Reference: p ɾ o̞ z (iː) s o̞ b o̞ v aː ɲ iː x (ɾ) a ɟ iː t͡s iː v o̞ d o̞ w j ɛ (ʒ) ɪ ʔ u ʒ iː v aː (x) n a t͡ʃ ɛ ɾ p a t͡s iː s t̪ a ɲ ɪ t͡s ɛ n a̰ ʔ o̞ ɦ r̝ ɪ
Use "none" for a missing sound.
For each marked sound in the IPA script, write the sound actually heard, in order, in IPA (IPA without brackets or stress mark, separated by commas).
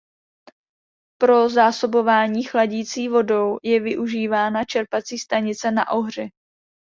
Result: aː, l, v, none